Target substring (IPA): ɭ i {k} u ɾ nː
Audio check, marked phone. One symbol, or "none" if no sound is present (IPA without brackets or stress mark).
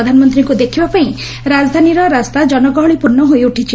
p